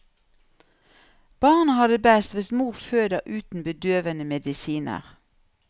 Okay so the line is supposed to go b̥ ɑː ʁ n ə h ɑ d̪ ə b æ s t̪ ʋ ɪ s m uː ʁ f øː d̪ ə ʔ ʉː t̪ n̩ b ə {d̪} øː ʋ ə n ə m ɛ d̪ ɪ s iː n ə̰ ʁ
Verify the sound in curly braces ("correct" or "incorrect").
correct